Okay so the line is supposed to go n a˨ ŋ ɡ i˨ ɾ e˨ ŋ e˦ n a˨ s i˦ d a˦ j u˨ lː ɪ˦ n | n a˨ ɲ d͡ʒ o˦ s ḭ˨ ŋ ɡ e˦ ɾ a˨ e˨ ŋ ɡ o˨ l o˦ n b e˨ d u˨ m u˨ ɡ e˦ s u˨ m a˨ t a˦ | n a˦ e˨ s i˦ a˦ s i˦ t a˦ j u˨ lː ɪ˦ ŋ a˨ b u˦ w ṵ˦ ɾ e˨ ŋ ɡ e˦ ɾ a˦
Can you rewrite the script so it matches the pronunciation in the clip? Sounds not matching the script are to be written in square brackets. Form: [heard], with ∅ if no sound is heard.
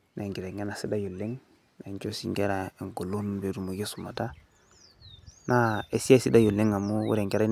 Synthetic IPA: n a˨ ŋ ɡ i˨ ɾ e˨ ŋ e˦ n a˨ s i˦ d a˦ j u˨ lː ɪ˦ [ŋ] | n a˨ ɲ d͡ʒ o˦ s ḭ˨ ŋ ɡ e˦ ɾ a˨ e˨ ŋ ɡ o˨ l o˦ n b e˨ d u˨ m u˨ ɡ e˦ s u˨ m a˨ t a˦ | n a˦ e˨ s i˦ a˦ s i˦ [d] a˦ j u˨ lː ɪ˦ ŋ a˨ [m] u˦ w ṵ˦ ɾ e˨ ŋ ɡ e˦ ɾ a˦

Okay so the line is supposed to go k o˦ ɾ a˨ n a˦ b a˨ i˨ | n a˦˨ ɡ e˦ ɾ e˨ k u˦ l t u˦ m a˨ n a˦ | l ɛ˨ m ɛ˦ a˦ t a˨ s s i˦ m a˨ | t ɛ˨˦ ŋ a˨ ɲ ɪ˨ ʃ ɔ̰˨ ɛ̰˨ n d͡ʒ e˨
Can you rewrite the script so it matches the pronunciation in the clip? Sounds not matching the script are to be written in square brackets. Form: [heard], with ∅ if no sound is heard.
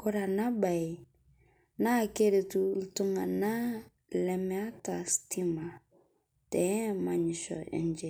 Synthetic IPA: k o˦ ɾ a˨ n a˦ b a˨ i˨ | n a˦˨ [k] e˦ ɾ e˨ [t] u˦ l t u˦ [ŋ] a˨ n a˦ | l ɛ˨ m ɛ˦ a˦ t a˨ s [t] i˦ m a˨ | t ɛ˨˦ [m] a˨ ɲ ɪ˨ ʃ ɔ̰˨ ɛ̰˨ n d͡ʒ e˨

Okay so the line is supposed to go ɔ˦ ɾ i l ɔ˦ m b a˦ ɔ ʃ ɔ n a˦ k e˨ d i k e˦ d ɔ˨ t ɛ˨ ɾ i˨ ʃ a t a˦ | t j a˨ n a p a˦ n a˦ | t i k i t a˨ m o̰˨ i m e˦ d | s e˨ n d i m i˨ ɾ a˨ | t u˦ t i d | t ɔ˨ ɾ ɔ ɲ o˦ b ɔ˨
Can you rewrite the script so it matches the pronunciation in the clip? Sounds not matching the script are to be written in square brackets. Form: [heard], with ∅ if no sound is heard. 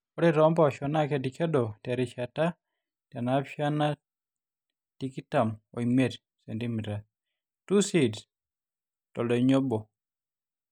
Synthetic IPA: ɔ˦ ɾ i [ɾ] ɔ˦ m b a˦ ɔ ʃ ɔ n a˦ k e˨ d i k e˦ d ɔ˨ t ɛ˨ ɾ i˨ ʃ a t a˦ | t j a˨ n a p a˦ n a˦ | t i k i t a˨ m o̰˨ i m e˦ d | s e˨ n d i m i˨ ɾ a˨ | t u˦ [s] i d | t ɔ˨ [l] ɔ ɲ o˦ b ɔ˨

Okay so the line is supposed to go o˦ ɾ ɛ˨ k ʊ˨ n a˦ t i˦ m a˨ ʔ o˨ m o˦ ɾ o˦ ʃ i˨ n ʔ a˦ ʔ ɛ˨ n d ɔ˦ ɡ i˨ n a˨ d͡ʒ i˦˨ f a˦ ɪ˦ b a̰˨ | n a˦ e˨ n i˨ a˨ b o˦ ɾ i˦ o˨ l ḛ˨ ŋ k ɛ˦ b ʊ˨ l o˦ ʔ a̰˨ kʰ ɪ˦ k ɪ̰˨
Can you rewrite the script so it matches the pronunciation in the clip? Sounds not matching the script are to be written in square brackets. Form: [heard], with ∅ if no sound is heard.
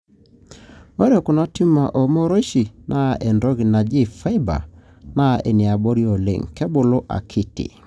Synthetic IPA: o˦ ɾ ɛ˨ k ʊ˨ n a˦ t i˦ m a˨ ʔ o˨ m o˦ ɾ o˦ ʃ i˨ n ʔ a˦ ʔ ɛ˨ n d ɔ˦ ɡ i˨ n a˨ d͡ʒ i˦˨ f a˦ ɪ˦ b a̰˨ | n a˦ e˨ n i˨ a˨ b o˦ ɾ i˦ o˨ l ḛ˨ ŋ k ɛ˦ b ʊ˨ l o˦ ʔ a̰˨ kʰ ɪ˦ [t] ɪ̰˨

